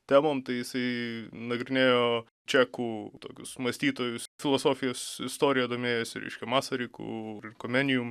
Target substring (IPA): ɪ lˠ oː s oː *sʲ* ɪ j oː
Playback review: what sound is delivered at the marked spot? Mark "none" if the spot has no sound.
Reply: fʲ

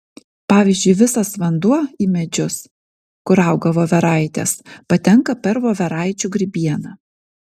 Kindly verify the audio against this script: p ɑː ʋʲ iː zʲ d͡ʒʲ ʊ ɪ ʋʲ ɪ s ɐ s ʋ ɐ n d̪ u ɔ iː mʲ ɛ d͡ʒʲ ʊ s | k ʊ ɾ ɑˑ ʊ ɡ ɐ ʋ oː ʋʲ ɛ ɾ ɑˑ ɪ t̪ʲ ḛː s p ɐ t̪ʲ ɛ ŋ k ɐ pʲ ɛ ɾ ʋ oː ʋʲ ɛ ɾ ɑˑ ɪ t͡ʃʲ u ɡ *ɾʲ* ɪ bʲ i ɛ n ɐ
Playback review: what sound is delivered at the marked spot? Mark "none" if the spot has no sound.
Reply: ɾʲ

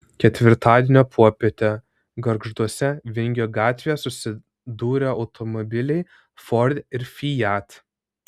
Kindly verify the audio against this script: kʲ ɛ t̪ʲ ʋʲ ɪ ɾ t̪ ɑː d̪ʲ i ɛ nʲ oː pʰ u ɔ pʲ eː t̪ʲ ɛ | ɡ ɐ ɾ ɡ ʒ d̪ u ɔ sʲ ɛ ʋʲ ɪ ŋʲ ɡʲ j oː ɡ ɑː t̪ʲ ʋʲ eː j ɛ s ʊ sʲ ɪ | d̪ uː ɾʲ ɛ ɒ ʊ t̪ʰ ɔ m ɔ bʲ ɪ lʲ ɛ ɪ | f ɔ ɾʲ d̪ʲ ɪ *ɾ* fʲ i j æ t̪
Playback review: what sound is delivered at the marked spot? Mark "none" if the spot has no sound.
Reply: ɾ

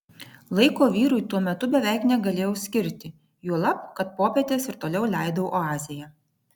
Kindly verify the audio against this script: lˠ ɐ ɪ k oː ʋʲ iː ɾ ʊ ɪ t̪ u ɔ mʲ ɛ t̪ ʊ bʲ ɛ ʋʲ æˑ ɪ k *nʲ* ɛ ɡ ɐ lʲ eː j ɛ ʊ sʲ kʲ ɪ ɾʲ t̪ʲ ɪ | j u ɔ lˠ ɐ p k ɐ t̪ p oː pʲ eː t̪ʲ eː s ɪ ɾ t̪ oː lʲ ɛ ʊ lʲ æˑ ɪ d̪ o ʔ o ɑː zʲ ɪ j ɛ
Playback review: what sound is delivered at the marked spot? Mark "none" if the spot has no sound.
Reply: nʲ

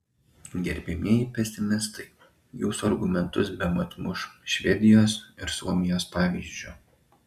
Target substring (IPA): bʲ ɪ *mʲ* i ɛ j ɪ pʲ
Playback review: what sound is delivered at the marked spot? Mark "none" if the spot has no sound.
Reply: mʲ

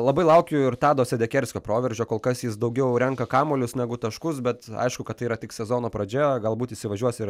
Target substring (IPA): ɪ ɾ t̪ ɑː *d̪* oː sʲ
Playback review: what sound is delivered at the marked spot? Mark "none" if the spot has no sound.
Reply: d̪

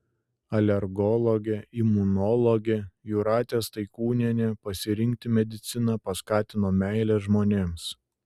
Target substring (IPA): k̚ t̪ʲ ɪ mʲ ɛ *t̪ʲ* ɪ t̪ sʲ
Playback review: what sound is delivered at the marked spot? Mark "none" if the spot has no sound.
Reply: d̪ʲ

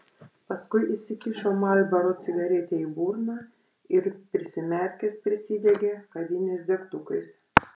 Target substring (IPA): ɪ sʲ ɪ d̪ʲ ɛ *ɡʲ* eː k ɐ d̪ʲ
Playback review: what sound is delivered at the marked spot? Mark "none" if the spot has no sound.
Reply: ɡʲ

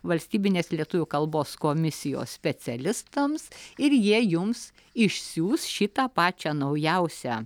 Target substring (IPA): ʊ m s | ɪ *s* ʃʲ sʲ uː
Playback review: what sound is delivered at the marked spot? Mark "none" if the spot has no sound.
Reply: none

